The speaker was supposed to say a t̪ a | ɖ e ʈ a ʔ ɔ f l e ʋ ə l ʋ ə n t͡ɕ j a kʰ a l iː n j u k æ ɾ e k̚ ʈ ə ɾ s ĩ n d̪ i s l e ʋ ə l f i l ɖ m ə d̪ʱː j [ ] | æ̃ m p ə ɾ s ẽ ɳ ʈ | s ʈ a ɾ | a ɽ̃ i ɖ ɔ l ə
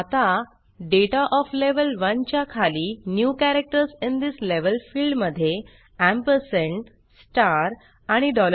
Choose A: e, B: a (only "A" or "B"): A